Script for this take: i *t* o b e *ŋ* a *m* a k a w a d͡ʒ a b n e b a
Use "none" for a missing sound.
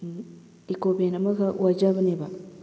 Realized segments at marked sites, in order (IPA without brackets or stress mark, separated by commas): k, n, m